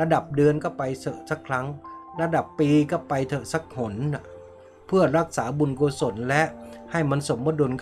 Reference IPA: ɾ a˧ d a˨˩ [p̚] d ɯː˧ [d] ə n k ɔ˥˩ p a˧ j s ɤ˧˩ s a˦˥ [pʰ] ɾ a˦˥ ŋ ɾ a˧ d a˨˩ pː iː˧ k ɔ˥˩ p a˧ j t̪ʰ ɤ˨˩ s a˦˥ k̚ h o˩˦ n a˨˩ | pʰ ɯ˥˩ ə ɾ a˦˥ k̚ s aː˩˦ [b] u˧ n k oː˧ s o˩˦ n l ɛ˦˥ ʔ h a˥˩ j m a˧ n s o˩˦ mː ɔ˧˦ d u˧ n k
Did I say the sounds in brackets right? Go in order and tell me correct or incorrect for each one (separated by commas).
correct, incorrect, incorrect, correct